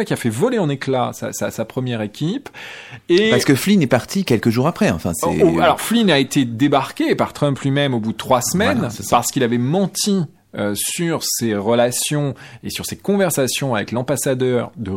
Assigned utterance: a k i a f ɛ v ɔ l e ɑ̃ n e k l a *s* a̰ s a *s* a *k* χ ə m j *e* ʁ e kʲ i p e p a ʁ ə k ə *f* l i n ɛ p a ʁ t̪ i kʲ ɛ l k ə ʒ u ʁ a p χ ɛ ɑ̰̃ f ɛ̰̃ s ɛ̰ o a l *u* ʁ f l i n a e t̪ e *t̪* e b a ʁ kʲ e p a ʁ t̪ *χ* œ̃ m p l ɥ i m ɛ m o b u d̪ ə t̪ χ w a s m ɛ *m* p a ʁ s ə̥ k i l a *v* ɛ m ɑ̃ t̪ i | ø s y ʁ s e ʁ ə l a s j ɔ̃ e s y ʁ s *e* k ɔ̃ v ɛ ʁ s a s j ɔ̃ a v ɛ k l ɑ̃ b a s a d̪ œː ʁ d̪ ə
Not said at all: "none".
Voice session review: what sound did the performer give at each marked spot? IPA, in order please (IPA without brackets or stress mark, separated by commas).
s, s, p, ɛ, f, ɔ, d̪, χ, n, v, e